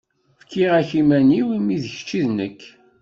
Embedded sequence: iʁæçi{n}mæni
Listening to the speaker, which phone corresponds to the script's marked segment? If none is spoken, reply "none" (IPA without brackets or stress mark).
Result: none